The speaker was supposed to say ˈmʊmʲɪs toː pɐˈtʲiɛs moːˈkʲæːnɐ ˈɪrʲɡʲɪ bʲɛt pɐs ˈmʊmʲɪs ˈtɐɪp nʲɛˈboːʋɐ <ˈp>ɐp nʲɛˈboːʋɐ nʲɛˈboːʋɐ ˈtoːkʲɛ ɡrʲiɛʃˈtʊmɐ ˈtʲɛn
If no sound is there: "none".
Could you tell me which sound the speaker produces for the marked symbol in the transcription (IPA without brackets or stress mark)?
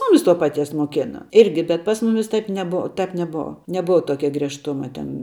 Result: t